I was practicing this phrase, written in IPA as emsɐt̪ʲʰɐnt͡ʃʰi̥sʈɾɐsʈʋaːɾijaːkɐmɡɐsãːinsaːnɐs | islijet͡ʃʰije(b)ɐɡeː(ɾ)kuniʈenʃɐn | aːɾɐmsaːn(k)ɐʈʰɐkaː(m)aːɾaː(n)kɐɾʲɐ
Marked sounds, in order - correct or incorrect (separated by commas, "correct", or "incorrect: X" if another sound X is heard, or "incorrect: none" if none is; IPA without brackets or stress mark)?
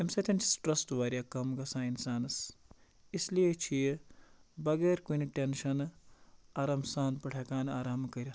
correct, correct, incorrect: p, incorrect: n, incorrect: m